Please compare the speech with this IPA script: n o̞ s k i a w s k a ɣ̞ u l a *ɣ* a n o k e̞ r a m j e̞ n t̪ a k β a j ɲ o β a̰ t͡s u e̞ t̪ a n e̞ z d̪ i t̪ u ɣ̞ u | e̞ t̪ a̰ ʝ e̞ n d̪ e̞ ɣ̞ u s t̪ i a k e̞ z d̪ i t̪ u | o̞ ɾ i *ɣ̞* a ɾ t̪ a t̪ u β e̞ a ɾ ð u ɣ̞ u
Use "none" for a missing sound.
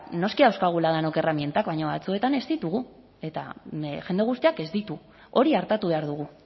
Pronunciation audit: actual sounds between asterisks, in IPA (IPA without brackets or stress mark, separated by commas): ð, none